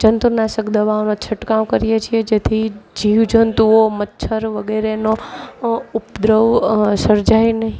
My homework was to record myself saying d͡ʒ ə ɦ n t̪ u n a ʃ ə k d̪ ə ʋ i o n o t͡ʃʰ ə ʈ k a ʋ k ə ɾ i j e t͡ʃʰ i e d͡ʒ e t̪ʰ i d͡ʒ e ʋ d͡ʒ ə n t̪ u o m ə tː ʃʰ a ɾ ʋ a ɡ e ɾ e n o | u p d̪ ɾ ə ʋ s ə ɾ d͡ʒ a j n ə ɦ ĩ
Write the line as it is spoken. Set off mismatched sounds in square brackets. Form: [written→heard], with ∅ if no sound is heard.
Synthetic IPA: d͡ʒ ə [ɦ→∅] n t̪ u n a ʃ ə k d̪ ə ʋ [i→a] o n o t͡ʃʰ ə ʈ k a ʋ k ə ɾ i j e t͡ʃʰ i e d͡ʒ e t̪ʰ i d͡ʒ [e→i] ʋ d͡ʒ ə n t̪ u o m ə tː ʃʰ [a→ə] ɾ ʋ [a→ə] ɡ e ɾ e n o | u p d̪ ɾ ə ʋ s ə ɾ d͡ʒ a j n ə ɦ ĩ

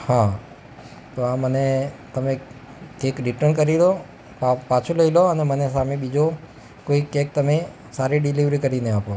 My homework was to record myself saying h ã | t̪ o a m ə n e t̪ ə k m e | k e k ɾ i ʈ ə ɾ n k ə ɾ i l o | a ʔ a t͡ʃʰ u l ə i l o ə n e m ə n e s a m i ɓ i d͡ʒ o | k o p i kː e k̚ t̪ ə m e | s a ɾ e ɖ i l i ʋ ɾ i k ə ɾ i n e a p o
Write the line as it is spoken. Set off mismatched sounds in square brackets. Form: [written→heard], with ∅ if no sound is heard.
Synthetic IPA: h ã | t̪ o a m ə n e t̪ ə [k→∅] m e | k e k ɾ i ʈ ə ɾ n k ə ɾ i l o | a [ʔ→p] a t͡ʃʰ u l ə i l o ə n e m ə n e s a m [i→e] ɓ i d͡ʒ o | k o [p→∅] i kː e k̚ t̪ ə m e | s a ɾ [e→i] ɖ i l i ʋ ɾ i k ə ɾ i n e a p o

